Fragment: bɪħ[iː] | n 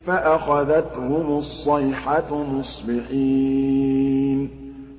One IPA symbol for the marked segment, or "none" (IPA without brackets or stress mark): iː